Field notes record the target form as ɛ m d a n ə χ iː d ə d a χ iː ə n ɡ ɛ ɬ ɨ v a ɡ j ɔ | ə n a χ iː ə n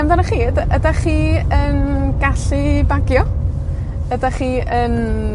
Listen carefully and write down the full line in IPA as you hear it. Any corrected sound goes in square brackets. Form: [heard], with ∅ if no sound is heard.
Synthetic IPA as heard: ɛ m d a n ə χ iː d ə d a χ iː ə n ɡ [a] ɬ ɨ [b] a ɡ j ɔ | ə [d] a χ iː ə n